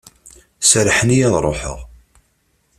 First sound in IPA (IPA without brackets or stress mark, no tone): s